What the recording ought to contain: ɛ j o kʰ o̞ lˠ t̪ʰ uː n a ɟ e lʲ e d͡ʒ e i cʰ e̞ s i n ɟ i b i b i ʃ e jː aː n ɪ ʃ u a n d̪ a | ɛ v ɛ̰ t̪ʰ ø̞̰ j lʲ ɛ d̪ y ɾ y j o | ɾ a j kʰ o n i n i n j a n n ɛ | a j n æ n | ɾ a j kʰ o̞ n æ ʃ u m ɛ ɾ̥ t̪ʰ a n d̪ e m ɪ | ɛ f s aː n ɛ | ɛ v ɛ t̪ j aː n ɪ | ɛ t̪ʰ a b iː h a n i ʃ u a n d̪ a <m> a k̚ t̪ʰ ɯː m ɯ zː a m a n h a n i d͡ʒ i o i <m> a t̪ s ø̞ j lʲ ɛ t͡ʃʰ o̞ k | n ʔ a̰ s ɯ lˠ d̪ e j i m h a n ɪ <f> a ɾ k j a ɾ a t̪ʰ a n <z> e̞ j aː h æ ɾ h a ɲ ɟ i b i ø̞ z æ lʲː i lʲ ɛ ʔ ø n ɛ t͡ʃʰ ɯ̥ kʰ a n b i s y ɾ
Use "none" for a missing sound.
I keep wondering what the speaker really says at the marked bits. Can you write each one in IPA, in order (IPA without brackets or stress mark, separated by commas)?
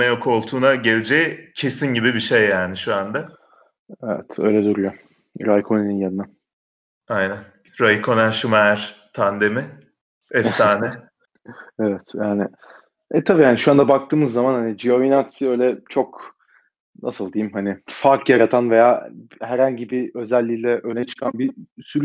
b, n, f, v